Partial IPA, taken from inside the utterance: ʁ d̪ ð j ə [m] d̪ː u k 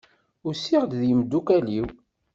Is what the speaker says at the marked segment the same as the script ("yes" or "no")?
yes